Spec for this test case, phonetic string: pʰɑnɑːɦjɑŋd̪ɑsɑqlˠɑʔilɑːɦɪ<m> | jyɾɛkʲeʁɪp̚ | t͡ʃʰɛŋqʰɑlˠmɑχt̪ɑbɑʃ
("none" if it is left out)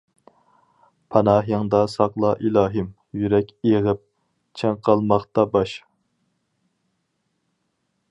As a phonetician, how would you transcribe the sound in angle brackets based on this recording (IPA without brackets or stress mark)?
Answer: m